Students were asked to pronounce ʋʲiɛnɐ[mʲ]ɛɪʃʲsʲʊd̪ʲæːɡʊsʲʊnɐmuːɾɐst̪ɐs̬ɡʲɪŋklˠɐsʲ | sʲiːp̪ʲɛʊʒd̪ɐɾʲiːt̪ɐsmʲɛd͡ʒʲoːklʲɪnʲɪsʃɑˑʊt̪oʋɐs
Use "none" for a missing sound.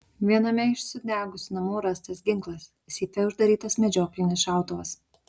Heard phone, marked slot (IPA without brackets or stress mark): mʲ